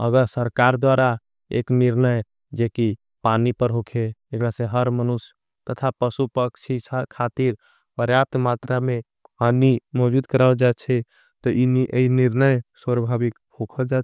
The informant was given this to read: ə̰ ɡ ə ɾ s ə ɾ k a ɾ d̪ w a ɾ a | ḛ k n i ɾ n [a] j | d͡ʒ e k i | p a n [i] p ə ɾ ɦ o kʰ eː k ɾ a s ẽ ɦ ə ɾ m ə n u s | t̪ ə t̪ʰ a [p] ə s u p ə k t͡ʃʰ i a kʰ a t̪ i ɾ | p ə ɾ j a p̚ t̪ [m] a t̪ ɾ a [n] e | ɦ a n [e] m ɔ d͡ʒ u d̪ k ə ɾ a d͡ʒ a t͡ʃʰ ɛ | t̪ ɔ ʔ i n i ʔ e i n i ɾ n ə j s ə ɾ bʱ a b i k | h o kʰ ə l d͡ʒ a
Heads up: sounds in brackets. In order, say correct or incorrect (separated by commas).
incorrect, correct, correct, correct, incorrect, incorrect